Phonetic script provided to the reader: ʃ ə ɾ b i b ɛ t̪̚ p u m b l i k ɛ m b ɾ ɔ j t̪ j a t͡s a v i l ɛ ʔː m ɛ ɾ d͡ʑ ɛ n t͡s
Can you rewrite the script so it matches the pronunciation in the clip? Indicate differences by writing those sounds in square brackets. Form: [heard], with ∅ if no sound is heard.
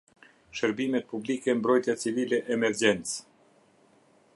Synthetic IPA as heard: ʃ ə ɾ b i [m] ɛ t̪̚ p u [∅] b l i k ɛ m b ɾ ɔ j t̪ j a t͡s [i] v i l ɛ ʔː m ɛ ɾ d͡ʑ ɛ n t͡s